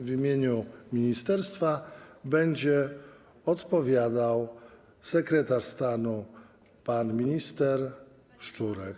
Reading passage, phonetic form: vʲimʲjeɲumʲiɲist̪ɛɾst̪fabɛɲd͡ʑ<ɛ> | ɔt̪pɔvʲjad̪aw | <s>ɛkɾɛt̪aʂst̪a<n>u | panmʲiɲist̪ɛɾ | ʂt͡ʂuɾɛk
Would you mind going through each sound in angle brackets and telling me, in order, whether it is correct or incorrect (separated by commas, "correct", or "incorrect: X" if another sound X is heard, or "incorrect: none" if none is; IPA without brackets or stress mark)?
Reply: correct, correct, correct